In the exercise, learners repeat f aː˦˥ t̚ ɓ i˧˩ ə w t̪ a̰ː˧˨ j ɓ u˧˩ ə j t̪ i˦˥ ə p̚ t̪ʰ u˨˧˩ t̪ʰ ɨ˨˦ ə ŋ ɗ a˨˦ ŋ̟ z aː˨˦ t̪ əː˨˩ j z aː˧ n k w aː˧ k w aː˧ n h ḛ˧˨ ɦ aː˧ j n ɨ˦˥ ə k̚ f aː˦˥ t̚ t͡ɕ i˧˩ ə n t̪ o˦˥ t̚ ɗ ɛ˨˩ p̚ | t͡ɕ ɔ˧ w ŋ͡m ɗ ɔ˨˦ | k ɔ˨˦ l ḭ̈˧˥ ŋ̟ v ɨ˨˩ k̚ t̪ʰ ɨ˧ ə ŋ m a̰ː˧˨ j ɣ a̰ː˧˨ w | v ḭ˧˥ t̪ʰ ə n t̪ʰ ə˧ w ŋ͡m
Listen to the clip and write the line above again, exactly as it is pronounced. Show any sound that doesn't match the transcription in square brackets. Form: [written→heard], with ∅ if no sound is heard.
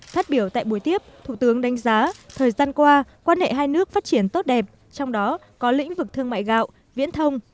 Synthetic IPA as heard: f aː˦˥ t̚ ɓ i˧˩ ə w t̪ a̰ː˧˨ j ɓ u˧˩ ə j t̪ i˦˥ ə p̚ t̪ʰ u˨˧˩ [t̪ʰ→t̪] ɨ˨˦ ə ŋ ɗ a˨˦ ŋ̟ z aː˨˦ [t̪→t̪ʰ] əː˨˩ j z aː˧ n k w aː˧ k w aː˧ n h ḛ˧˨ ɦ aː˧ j n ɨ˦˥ ə k̚ f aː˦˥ t̚ t͡ɕ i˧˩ ə n t̪ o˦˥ t̚ ɗ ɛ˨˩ p̚ | t͡ɕ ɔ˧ w ŋ͡m ɗ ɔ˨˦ | k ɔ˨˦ l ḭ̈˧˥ ŋ̟ v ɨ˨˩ k̚ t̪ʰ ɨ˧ ə ŋ m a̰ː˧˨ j ɣ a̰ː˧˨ w | v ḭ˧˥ [t̪ʰ→∅] ə n t̪ʰ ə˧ w ŋ͡m